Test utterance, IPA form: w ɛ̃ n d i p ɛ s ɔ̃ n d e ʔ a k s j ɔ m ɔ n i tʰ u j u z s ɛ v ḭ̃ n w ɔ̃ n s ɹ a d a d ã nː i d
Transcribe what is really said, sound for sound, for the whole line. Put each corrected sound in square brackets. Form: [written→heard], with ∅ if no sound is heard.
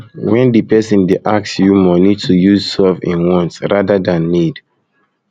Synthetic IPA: w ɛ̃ n d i p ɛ s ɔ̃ n d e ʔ a k s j [ɔ→u] m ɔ n i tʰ u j u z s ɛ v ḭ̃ n w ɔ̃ n s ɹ a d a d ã nː i d